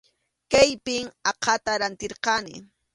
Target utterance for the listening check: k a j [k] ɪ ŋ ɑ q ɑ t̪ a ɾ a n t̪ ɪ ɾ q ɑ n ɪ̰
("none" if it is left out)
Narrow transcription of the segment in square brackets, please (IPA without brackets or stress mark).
p